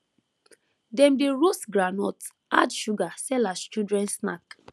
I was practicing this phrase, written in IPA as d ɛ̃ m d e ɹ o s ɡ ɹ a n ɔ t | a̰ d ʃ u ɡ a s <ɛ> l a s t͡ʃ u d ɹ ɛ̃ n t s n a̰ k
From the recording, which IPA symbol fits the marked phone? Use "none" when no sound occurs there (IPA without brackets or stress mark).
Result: ɛ